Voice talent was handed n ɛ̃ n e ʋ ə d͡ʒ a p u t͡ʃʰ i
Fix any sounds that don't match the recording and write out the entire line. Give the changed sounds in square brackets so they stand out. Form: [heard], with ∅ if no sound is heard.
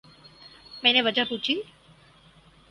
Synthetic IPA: [m] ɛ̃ n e ʋ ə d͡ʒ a p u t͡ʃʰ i